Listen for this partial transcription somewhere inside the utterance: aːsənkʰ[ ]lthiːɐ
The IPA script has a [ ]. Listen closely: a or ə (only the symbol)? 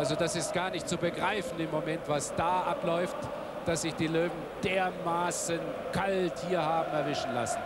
a